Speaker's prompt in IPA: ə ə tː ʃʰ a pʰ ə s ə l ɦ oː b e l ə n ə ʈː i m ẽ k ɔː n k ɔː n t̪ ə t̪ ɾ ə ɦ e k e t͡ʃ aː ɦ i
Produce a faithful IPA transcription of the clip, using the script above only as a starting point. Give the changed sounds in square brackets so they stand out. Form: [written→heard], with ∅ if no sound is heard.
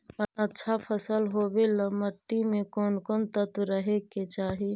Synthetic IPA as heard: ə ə tː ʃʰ a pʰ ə s ə l ɦ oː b e l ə [n→m] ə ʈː i m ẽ k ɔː n k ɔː n t̪ ə t̪ ɾ ə ɦ e k e t͡ʃ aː ɦ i